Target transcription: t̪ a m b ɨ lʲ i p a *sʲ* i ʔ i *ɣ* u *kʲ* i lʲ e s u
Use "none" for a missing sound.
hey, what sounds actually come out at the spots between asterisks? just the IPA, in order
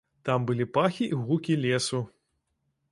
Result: xʲ, ɣ, kʲ

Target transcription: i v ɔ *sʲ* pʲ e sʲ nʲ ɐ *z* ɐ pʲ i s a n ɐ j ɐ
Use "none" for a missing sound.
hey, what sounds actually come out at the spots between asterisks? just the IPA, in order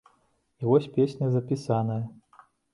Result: sʲ, z

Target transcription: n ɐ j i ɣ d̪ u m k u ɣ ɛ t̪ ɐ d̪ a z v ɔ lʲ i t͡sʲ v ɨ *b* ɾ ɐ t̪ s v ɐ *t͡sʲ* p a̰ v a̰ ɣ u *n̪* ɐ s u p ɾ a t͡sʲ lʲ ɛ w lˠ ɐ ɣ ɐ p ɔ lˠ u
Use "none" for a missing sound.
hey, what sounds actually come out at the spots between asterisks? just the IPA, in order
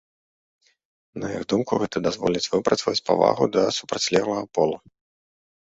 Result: p, t͡sʲ, d̪

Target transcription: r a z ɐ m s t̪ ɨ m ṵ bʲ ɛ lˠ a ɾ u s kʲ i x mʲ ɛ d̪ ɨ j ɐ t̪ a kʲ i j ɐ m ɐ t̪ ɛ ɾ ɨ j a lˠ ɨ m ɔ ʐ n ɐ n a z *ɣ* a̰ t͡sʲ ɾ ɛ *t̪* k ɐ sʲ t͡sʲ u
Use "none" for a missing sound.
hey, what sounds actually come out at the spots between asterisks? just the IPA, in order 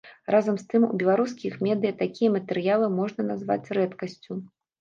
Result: v, t̪

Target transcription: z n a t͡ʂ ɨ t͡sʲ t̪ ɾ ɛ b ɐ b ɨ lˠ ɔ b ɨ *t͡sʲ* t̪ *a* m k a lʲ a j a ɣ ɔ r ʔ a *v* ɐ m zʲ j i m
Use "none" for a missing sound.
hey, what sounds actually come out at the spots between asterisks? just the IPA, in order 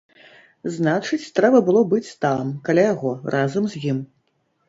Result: t͡sʲ, a, z

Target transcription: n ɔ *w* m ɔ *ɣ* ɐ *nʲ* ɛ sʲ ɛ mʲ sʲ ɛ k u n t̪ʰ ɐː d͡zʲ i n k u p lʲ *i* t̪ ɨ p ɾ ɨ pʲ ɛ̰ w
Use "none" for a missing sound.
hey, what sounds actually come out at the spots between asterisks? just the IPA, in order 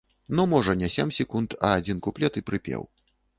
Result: none, ʐ, nʲ, ɛ

